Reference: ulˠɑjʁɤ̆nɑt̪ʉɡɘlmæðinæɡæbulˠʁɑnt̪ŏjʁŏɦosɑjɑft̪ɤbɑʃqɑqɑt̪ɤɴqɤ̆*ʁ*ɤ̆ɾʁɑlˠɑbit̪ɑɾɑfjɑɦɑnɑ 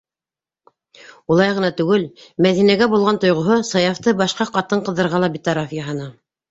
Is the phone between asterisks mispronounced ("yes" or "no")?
yes